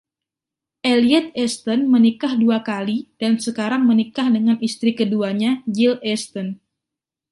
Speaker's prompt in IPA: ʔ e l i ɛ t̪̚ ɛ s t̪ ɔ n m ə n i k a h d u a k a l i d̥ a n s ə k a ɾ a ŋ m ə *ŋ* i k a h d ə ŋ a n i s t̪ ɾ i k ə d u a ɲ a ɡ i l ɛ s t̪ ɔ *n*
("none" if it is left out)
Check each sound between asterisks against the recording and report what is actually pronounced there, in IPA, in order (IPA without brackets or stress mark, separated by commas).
n, n